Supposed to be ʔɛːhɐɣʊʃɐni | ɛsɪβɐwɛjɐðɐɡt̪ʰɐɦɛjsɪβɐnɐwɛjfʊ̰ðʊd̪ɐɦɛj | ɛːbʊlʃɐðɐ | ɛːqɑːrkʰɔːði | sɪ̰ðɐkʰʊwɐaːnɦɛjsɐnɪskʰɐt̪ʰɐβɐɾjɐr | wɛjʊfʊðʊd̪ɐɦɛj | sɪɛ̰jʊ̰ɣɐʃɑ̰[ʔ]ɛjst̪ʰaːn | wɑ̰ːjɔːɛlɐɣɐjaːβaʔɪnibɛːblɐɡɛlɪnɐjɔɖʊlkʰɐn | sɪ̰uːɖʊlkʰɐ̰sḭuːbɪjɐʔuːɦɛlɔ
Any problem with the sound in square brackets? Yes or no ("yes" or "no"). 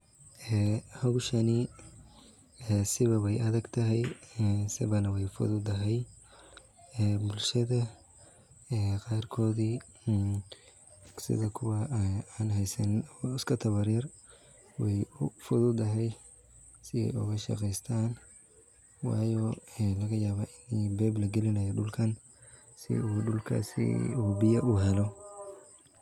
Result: yes